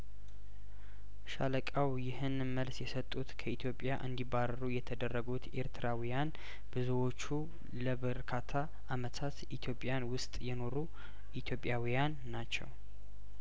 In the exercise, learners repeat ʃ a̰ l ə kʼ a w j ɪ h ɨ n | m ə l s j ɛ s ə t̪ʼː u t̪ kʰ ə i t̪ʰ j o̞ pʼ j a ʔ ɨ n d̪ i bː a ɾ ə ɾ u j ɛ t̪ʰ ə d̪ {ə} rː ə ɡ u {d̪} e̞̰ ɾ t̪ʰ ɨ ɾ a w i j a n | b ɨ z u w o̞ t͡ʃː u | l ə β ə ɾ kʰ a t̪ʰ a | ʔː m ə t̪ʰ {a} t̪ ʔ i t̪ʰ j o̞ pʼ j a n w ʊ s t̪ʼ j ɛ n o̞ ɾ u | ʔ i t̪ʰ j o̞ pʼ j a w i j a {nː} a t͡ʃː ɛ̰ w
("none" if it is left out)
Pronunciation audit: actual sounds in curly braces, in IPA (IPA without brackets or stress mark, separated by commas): ə, t̪, a, nː